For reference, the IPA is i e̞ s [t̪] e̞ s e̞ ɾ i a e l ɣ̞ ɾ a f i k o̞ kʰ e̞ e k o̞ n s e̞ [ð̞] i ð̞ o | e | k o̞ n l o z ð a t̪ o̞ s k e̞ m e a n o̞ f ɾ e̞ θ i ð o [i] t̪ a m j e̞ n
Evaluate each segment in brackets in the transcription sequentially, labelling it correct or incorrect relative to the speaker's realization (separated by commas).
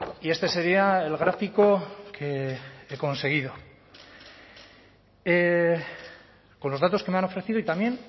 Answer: correct, incorrect, correct